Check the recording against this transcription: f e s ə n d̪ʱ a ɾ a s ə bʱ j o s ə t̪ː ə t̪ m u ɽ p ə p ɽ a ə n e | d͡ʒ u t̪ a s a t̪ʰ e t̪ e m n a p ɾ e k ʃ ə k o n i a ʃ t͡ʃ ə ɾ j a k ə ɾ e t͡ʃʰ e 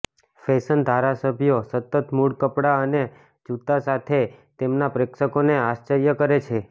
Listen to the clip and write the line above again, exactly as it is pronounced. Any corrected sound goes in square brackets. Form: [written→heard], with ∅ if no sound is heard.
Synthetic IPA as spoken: f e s ə n d̪ʱ a ɾ a s ə bʱ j o s ə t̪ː ə t̪ m u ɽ [p→k] ə p ɽ a ə n e | d͡ʒ u t̪ a s a t̪ʰ e t̪ e m n a p ɾ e k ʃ ə k o n [i→e] a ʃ t͡ʃ ə ɾ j [a→ə] k ə ɾ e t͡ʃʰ e